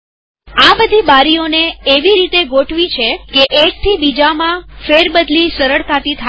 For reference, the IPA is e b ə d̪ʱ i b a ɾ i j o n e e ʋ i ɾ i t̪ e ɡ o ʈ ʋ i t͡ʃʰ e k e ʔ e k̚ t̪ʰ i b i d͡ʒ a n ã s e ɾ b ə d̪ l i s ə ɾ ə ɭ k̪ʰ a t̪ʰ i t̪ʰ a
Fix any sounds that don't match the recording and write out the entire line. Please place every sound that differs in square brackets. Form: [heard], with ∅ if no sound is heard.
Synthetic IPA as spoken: [a] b ə d̪ʱ i b a ɾ i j o n e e ʋ i ɾ i t̪ e ɡ o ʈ ʋ i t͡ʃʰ e k e ʔ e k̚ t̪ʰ i b i d͡ʒ a [m] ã [f] e ɾ b ə d̪ l i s ə ɾ ə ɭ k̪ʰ a [t̪] i t̪ʰ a